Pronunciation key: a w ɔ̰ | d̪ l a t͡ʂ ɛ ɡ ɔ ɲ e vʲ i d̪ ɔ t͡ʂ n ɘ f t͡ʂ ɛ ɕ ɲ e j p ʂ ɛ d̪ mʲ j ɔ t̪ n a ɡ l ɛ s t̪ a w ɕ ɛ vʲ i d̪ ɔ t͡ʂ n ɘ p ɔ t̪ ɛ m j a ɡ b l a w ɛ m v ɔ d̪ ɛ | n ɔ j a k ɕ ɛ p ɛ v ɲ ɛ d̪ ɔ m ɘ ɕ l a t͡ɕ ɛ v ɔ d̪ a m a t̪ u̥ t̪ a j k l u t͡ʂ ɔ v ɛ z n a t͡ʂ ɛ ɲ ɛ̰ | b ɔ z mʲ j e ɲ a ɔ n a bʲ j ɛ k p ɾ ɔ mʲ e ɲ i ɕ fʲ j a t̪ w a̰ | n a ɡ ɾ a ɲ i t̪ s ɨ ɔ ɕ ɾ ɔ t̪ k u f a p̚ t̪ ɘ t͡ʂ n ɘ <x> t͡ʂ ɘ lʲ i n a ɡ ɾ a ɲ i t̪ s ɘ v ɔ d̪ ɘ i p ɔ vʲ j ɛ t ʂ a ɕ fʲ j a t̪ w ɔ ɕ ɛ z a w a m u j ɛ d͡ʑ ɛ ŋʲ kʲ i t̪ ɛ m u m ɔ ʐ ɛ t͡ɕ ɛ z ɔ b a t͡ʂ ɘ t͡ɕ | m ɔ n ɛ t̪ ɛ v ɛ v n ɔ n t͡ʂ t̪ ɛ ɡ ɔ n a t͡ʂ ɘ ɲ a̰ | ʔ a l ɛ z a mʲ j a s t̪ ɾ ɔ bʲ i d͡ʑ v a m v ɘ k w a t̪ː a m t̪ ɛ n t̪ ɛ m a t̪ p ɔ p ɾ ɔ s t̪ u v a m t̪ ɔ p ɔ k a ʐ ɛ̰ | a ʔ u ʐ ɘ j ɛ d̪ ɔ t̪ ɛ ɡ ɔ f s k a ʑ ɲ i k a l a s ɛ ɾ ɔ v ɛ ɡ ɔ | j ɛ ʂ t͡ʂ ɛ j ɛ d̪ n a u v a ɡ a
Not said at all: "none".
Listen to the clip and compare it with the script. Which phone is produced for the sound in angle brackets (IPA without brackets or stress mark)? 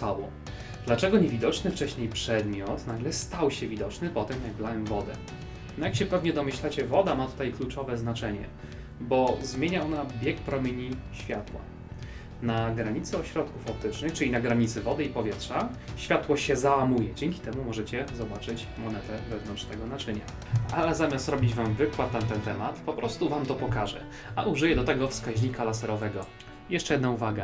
x